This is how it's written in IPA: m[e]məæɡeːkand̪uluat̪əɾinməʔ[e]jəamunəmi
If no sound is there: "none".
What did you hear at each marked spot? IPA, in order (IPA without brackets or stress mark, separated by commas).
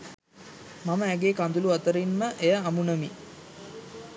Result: a, e